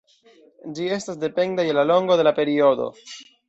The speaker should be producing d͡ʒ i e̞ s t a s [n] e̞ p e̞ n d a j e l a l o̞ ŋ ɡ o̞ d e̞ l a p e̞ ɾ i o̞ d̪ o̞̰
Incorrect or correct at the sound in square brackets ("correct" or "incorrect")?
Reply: incorrect